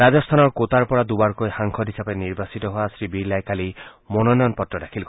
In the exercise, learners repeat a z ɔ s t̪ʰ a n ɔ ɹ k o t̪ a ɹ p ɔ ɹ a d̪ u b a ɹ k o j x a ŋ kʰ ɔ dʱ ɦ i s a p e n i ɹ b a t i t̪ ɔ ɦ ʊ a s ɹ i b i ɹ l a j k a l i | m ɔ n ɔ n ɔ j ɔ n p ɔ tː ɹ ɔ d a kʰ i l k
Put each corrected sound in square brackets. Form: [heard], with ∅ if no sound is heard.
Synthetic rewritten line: a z ɔ s t̪ʰ a n ɔ ɹ k o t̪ a ɹ p ɔ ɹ a d̪ u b a ɹ k o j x a ŋ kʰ ɔ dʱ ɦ i s a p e n i ɹ b a [s] i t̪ ɔ ɦ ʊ a s ɹ i b i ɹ l a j k a l i | m ɔ n ɔ n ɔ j ɔ n p ɔ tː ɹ ɔ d a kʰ i l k